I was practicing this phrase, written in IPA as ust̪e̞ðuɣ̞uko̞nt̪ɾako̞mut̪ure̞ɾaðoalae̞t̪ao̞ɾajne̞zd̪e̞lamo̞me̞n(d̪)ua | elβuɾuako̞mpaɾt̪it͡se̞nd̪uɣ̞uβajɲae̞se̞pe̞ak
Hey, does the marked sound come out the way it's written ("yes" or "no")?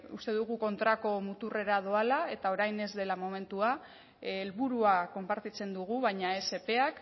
no